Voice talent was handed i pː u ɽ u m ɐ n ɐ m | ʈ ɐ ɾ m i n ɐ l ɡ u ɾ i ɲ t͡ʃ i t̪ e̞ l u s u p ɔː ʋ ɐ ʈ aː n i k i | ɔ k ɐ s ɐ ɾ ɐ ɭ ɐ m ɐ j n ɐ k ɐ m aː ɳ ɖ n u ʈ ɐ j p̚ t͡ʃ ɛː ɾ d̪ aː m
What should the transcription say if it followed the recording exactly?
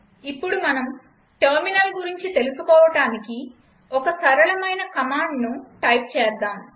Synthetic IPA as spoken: i pː u ɽ u m ɐ n ɐ m | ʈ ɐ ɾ m i n ɐ l ɡ u ɾ i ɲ t͡ʃ i t̪ e̞ l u s u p ɔː ʋ ɐ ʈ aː n i k i | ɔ k ɐ s ɐ ɾ ɐ ɭ ɐ m ɐ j n ɐ k ɐ m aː ɳ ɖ n u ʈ ɐ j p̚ t͡ʃ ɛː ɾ d̪ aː m